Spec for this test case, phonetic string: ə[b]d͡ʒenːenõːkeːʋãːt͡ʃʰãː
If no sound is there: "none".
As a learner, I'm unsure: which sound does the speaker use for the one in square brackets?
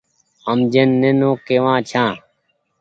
m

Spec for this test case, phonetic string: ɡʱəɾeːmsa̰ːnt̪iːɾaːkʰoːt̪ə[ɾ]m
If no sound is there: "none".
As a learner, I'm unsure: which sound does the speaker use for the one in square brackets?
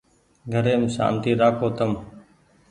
none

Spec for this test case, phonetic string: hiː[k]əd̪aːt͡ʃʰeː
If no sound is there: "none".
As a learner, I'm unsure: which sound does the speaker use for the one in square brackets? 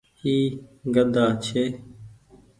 ɡ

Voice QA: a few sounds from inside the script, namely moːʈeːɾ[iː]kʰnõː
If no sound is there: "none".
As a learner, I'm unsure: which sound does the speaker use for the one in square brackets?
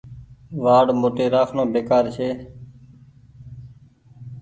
aː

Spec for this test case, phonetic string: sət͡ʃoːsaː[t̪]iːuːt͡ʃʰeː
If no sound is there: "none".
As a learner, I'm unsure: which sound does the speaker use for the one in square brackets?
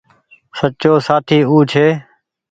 t̪ʰ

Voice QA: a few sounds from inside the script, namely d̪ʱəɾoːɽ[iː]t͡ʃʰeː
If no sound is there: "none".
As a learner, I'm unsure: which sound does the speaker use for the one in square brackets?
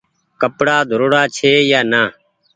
aː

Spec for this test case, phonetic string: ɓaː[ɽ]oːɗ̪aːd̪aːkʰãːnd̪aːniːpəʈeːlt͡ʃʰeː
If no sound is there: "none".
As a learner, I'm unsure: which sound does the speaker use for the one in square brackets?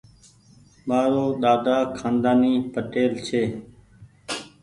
ɾ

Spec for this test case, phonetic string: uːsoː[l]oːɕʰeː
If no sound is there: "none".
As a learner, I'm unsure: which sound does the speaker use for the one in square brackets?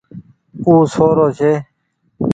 ɾ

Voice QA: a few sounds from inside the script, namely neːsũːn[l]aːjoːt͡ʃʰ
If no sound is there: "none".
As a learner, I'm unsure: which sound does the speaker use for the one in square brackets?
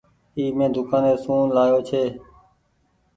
l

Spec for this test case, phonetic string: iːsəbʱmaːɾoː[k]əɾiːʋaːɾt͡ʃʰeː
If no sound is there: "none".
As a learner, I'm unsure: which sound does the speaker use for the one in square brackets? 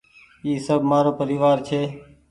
p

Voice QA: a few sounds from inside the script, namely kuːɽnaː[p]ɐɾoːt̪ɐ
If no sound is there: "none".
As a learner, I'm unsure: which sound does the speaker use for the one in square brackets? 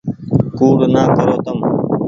k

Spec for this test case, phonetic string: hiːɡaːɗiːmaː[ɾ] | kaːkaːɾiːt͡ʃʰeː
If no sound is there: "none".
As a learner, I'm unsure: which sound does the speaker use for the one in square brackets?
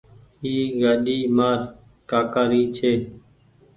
ɾ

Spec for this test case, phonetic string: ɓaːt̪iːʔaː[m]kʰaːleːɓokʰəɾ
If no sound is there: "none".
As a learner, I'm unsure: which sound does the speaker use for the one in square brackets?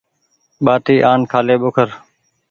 n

